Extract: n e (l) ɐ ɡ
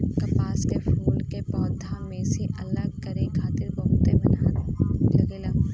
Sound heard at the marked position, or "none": l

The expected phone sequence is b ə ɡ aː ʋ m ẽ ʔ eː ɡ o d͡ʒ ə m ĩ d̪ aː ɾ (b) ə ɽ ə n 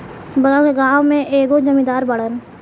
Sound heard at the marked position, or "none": b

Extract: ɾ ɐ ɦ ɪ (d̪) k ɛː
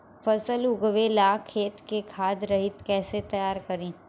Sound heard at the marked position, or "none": t̪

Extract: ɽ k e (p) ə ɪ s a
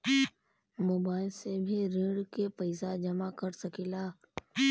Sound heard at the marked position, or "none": p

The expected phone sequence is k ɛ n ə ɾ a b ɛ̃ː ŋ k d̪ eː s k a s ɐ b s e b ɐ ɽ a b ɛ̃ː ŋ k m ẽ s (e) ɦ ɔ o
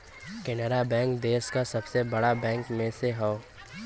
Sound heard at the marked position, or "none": e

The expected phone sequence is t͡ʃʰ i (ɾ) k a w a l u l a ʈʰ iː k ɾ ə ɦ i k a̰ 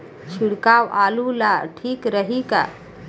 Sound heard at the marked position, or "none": ɽ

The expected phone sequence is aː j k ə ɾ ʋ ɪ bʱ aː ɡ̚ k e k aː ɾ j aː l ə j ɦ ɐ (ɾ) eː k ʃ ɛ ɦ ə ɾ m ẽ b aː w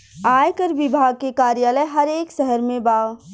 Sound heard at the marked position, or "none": ɾ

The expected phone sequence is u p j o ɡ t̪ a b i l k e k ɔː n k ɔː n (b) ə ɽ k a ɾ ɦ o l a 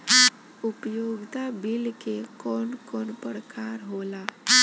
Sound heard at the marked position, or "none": p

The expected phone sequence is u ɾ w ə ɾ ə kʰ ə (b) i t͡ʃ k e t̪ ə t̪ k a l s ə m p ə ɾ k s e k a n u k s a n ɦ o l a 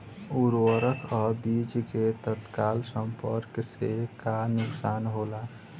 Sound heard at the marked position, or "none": b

